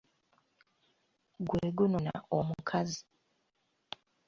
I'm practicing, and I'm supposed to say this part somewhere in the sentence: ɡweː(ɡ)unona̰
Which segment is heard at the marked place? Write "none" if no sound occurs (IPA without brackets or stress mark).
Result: ɡ